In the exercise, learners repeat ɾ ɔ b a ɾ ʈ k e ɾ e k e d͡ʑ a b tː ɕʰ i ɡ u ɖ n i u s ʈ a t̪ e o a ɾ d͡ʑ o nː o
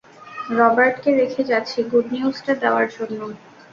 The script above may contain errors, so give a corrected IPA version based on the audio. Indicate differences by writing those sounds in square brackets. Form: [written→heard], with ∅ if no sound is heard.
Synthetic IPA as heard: ɾ ɔ b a ɾ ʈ k e ɾ e [k→kʰ] e d͡ʑ a [b→∅] tː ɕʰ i ɡ u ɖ n i u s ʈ a [t̪→d̪] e o a ɾ d͡ʑ o nː o